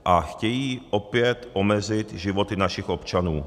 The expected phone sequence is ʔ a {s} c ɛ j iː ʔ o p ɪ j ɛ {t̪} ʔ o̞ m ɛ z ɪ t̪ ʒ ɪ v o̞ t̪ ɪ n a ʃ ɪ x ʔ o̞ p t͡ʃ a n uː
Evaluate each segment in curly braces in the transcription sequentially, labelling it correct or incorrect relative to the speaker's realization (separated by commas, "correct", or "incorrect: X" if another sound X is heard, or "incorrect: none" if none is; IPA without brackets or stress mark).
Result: incorrect: x, correct